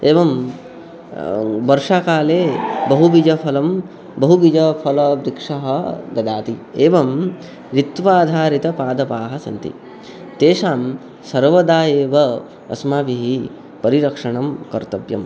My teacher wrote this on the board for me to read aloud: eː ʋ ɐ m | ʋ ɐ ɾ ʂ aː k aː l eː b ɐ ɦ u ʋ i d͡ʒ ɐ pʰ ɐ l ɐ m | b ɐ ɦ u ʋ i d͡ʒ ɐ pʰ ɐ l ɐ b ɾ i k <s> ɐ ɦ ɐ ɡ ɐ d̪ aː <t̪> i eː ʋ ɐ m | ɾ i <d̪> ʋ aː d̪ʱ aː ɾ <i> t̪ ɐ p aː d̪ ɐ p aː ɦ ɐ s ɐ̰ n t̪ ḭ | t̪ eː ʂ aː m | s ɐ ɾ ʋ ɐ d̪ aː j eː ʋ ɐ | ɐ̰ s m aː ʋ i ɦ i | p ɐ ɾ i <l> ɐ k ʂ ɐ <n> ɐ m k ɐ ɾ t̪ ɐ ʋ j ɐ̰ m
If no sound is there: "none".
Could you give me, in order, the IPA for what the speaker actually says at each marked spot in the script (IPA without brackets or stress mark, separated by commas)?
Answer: ʂ, t̪, t̪, i, ɾ, ɳ